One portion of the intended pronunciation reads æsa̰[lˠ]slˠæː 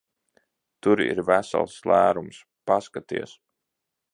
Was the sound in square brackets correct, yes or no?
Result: yes